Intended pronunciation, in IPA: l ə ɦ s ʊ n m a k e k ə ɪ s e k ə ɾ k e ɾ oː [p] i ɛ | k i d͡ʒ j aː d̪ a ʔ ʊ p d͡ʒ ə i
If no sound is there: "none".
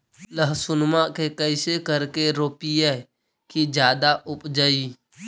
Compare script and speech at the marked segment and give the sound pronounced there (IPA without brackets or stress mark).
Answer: p